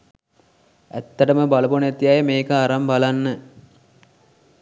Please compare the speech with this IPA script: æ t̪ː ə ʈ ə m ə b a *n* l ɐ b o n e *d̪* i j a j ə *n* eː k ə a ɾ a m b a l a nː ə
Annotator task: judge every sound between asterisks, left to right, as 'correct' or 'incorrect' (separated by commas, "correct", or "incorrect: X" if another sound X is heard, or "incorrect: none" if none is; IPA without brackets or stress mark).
incorrect: none, incorrect: t̪, incorrect: m